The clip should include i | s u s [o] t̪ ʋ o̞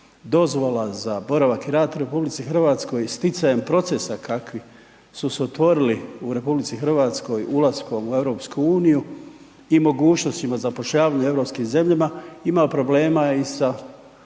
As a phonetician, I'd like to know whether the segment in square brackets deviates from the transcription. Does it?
no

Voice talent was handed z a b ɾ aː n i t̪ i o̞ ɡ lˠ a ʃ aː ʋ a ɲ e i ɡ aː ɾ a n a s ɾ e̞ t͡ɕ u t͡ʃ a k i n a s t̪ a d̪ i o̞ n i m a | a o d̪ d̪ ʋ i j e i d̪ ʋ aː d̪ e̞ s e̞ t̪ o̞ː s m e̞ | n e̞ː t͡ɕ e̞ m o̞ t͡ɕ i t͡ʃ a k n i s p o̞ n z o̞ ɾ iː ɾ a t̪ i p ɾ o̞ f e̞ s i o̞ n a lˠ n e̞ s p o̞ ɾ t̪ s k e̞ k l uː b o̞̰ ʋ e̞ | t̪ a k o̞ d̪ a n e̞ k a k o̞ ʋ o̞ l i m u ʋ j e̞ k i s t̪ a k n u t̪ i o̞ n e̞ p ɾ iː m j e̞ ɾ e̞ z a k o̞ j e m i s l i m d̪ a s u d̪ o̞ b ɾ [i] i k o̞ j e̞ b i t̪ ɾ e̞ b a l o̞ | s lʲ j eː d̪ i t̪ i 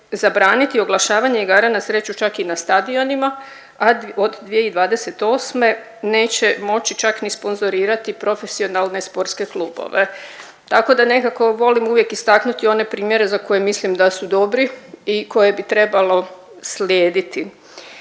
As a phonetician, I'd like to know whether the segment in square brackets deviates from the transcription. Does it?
no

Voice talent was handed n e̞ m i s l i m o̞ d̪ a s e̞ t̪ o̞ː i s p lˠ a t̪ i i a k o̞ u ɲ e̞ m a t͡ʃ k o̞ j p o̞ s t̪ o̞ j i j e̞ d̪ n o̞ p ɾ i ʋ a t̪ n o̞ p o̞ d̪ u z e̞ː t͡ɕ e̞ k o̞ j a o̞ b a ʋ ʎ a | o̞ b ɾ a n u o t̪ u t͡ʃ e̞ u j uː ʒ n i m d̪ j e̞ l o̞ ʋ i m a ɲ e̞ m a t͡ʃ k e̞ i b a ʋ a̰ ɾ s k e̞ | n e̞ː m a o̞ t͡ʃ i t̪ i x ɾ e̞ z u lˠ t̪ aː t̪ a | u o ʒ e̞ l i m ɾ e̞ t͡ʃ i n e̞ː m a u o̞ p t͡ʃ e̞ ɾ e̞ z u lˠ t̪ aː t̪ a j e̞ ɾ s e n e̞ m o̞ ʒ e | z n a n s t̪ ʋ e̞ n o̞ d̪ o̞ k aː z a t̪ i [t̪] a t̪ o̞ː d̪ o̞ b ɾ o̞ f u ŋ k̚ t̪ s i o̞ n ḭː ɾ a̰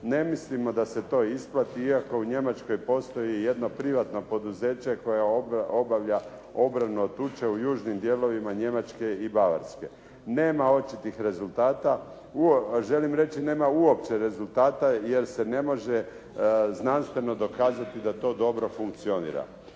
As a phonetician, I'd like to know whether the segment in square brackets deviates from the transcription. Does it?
yes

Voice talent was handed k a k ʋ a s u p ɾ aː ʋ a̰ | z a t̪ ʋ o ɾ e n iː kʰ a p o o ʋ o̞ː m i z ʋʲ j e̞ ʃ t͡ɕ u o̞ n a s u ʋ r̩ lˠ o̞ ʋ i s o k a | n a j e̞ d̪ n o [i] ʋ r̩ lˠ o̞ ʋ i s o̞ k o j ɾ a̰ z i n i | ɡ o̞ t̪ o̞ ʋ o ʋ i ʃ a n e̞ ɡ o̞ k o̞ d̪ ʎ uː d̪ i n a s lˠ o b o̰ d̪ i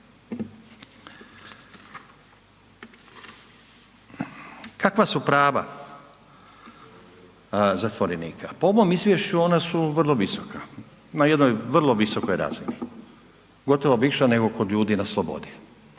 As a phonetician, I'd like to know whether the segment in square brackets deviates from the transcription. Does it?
yes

